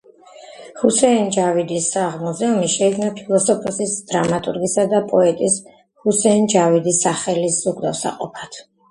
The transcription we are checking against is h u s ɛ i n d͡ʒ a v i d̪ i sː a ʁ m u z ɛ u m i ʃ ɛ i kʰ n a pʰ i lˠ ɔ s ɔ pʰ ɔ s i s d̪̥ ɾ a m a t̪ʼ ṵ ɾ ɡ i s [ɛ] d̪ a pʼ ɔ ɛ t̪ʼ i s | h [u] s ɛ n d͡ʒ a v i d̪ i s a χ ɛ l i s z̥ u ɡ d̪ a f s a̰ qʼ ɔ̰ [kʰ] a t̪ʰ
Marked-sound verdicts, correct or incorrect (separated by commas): incorrect, correct, incorrect